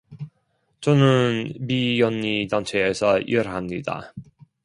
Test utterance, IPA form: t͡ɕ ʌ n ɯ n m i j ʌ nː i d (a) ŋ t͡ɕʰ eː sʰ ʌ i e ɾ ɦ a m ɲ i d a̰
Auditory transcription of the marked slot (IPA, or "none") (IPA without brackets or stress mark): a